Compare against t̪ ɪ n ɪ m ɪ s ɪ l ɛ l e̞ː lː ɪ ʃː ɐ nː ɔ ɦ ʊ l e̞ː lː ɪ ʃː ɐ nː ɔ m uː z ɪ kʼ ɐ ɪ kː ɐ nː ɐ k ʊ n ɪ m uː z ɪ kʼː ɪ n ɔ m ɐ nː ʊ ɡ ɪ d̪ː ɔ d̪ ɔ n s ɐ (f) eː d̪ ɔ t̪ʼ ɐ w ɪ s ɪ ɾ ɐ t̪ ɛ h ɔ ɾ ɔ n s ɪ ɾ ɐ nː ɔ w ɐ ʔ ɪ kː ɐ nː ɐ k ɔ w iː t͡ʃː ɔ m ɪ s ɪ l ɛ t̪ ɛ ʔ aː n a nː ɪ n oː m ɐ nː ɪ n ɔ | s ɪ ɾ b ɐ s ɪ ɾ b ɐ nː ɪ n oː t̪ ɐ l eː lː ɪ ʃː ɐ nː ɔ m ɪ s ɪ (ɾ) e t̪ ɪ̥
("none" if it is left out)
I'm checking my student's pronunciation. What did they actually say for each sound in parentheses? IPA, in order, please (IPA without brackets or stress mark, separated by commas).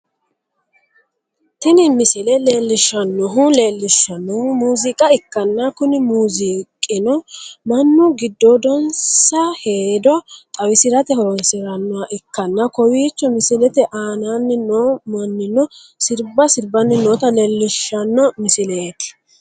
h, l